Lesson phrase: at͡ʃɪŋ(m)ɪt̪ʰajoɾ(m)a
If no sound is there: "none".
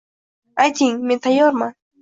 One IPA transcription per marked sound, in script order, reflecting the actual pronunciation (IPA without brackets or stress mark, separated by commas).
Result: m, m